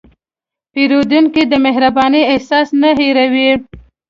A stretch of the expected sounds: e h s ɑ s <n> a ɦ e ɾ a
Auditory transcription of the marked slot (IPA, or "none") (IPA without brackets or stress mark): n